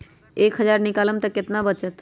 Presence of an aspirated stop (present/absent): absent